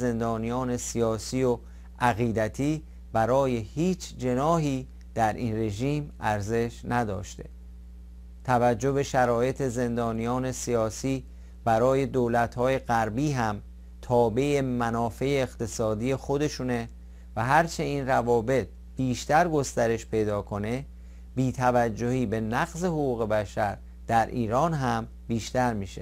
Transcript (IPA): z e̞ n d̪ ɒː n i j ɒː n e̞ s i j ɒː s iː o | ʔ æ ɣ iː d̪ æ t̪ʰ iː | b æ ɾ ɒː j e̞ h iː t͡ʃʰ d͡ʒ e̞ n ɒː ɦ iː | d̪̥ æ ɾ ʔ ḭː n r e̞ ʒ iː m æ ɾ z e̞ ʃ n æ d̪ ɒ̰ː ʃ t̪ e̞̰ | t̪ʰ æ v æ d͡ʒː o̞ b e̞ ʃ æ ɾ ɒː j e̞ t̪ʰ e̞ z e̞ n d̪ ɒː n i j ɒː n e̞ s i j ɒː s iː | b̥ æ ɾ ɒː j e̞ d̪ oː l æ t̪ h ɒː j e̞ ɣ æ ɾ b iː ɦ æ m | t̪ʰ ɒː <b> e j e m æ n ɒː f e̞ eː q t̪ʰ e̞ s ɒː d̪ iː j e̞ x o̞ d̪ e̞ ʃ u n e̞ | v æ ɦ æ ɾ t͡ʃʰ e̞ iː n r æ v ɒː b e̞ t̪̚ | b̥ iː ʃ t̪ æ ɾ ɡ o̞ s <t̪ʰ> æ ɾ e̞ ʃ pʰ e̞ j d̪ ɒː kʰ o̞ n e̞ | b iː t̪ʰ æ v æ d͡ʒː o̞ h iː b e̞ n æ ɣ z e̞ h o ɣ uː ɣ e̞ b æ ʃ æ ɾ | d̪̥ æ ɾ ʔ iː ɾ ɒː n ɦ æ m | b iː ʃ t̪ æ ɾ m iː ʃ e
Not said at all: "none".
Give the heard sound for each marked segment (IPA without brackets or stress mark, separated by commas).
b, t̪